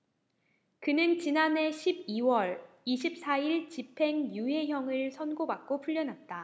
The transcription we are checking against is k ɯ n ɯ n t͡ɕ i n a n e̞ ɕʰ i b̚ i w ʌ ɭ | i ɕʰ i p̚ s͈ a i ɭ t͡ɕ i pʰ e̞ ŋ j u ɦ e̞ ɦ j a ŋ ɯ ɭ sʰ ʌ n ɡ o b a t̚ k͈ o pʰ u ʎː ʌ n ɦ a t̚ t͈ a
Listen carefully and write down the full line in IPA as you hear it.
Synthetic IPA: k ɯ n ɯ n t͡ɕ i n a n e̞ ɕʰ i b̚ i w ʌ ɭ | i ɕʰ i p̚ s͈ a i ɭ t͡ɕ i pʰ e̞ ŋ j u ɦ e̞ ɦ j ʌ ŋ ɯ ɭ sʰ ʌ n ɡ o b a k̚ k͈ o pʰ u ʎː ʌ n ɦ a t̚ t͈ a